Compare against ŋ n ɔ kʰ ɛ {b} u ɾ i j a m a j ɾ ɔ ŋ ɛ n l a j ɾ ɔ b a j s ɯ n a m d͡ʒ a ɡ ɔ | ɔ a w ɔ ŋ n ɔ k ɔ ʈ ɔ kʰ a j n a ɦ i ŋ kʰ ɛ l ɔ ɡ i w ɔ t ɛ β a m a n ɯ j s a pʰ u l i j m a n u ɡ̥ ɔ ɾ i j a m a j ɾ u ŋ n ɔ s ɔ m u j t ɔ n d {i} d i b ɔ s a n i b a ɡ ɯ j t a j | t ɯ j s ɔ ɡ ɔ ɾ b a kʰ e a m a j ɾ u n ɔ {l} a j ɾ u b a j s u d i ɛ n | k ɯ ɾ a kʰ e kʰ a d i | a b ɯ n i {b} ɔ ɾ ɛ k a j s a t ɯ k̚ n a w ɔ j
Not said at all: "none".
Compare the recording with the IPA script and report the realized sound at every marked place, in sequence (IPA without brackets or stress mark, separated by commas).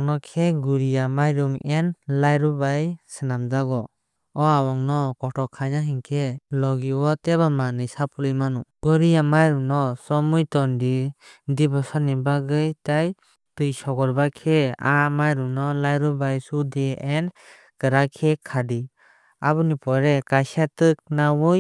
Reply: ɡ, i, l, p